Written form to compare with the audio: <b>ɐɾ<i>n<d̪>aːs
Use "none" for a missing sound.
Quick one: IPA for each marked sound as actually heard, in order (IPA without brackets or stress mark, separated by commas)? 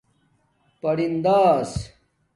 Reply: p, i, d̪